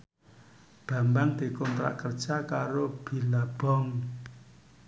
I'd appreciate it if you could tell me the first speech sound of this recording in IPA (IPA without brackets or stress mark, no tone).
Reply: b̥